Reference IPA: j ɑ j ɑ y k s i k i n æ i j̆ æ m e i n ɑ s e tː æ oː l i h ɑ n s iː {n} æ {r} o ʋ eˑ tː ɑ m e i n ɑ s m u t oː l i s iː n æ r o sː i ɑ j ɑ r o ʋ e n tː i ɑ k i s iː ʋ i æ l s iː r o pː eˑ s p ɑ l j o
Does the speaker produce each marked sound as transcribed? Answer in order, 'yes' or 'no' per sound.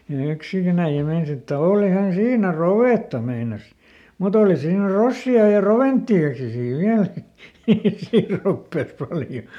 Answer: yes, yes

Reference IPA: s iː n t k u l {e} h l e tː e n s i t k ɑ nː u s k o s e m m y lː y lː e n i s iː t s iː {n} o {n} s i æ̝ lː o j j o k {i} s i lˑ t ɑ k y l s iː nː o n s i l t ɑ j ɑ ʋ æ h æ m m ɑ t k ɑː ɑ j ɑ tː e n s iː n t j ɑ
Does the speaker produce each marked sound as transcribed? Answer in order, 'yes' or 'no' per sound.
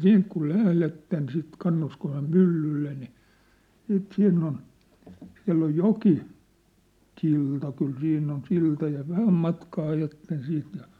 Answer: no, no, yes, yes

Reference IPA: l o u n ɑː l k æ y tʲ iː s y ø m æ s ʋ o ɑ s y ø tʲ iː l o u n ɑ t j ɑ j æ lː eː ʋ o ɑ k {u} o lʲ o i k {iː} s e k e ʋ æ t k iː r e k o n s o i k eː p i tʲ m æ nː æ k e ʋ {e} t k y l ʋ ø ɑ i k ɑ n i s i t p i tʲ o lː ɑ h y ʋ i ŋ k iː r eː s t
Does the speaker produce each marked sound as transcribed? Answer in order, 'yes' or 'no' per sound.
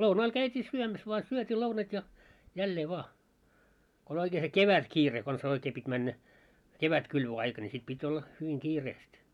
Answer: no, no, no

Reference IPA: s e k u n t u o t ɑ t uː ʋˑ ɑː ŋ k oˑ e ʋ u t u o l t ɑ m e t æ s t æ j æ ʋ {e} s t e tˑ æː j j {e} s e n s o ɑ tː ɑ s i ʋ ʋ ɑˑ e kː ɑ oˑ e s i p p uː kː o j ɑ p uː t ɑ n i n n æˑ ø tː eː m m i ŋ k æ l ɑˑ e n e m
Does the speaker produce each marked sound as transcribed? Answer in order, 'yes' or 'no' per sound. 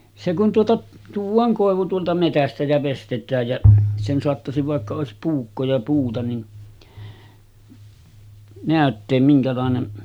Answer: yes, no

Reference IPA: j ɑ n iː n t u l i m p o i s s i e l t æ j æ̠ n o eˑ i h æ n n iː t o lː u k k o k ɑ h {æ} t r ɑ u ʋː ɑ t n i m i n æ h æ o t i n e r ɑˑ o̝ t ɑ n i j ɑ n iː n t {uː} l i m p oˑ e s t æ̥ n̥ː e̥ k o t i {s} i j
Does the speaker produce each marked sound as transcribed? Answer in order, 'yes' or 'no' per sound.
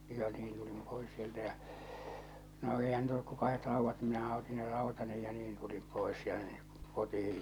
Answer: no, no, no

